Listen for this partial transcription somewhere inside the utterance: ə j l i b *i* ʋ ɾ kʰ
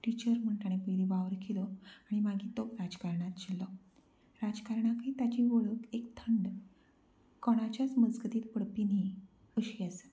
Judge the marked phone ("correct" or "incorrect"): incorrect